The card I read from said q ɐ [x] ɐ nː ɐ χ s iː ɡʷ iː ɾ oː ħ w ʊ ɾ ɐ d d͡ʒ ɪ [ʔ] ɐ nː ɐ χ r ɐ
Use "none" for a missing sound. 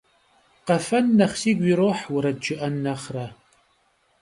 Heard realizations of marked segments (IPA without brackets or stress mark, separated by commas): f, ʔ